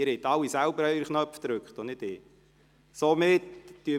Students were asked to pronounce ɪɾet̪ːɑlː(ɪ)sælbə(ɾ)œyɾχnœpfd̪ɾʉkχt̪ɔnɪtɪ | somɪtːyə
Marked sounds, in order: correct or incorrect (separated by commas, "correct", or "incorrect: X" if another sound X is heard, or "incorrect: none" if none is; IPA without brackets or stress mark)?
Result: incorrect: i, correct